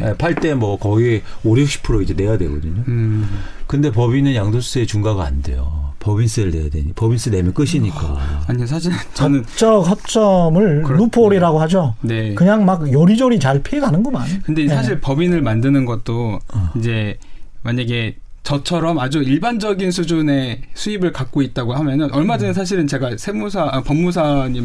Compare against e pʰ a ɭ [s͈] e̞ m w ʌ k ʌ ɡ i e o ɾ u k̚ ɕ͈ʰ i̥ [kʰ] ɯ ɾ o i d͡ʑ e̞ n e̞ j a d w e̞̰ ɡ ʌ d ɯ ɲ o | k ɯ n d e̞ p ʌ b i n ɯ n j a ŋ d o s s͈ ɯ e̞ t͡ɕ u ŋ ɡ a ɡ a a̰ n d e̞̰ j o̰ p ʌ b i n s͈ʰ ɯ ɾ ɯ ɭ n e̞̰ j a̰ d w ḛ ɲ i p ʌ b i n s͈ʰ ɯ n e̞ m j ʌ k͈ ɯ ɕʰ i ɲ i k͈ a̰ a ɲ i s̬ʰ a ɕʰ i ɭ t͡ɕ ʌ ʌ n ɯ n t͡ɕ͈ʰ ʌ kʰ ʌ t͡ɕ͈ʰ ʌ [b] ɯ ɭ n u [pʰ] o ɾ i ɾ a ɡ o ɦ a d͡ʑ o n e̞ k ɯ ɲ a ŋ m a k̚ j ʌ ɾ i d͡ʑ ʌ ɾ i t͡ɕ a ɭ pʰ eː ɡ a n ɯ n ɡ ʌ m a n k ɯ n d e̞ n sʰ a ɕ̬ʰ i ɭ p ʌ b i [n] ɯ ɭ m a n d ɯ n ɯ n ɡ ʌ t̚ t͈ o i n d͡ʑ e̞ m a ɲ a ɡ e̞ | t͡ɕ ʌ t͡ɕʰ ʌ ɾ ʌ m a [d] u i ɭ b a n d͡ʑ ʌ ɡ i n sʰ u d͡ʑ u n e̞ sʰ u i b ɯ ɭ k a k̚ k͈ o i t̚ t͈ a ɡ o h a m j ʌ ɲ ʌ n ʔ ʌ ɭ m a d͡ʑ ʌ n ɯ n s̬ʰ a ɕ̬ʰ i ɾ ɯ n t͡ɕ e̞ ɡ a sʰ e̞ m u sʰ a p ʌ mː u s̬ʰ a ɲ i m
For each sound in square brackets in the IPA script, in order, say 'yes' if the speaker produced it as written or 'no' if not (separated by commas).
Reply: no, no, no, yes, yes, no